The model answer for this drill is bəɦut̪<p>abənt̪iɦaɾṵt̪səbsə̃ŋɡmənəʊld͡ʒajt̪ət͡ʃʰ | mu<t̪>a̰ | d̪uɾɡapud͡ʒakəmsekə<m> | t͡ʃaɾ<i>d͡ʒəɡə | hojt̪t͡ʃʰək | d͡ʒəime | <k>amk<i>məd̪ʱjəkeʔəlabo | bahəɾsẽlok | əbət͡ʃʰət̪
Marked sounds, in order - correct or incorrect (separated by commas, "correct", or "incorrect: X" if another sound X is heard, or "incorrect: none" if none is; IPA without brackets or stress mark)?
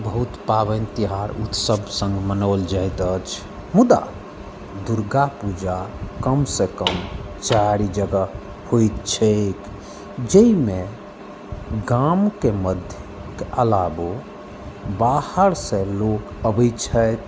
correct, incorrect: d̪, correct, correct, incorrect: ɡ, incorrect: e